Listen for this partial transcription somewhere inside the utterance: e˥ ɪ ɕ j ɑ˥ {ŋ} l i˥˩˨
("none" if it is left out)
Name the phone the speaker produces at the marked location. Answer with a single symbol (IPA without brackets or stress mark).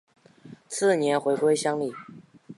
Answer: ŋ